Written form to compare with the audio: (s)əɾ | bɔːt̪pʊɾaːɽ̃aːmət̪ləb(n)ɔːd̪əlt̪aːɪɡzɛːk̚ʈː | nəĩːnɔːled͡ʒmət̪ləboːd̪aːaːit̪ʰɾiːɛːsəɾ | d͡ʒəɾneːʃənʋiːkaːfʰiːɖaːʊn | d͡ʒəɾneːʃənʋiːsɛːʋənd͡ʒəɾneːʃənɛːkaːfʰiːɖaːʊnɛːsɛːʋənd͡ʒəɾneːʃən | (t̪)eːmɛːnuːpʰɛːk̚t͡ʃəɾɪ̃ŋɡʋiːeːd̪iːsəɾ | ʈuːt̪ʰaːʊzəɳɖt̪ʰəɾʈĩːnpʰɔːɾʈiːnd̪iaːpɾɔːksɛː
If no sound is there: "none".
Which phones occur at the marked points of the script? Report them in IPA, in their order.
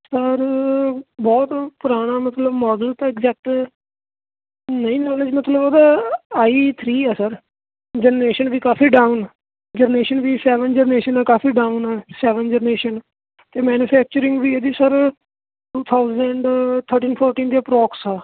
s, m, t̪

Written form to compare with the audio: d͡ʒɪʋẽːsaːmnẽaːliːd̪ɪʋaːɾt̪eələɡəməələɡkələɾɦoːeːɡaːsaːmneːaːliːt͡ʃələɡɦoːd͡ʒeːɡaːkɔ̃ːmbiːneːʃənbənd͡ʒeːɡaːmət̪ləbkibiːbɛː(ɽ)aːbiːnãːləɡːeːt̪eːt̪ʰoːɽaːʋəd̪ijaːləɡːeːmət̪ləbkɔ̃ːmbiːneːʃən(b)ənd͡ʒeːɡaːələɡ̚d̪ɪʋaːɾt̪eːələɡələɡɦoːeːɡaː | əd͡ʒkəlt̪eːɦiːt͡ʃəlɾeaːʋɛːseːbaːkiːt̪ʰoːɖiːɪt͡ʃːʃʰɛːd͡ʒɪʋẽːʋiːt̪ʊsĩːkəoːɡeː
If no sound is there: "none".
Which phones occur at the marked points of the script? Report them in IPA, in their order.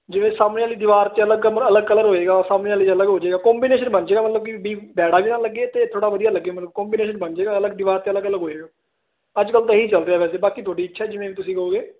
ɽ, b

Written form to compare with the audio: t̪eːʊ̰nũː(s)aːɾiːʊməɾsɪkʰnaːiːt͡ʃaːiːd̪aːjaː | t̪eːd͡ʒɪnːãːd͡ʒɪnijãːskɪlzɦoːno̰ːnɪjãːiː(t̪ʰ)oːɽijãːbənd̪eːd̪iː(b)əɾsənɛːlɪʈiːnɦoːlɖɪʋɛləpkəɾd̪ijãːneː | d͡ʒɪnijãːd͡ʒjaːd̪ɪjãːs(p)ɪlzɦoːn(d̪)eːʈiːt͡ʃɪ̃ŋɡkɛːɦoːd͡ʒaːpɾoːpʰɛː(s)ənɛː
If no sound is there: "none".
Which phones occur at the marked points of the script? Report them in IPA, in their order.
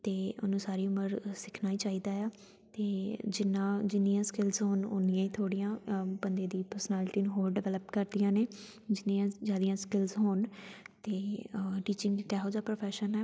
s, t̪ʰ, p, k, t̪, ʃ

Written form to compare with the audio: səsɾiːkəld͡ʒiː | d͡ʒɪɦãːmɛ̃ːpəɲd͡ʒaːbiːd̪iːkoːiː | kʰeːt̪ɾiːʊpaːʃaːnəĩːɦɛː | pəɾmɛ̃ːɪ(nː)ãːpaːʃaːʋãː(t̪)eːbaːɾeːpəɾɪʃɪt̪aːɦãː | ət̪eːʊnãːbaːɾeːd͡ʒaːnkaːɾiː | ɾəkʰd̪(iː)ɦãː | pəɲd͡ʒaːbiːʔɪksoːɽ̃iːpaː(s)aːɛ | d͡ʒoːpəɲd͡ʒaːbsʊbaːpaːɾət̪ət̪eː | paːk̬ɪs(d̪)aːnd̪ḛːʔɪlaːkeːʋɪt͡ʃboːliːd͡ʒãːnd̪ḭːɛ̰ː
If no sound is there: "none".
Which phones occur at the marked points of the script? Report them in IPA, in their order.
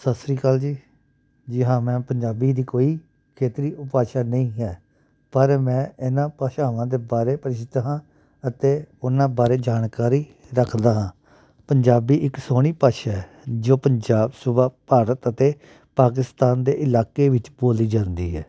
n, d̪, aː, ʃ, t̪

